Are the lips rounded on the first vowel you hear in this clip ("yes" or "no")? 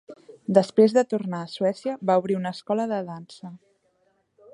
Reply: no